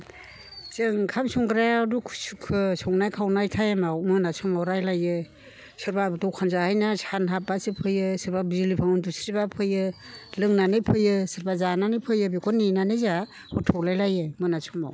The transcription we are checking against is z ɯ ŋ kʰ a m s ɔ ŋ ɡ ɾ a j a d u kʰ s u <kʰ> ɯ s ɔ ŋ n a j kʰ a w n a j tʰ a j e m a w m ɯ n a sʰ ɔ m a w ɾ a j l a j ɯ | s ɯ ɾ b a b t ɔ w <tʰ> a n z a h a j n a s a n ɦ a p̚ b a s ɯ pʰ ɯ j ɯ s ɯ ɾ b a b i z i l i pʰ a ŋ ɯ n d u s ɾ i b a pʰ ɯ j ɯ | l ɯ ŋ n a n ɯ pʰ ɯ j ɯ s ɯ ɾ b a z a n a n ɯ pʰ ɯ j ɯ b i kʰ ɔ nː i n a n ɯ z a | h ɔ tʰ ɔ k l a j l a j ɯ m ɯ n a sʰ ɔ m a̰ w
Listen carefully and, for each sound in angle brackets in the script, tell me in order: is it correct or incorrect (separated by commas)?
correct, incorrect